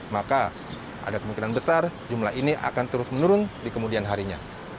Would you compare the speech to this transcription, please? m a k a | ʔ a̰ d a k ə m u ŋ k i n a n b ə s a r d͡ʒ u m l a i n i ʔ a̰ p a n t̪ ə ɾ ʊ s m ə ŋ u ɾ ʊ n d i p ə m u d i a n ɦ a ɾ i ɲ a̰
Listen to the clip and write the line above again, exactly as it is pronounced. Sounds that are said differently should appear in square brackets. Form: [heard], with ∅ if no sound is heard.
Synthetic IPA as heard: m a k a | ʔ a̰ d a k ə m u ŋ k i n a n b ə s a r d͡ʒ u m l a i n i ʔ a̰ [k] a n t̪ ə ɾ ʊ s m ə [n] u ɾ ʊ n d i [k] ə m u d i a n ɦ a ɾ i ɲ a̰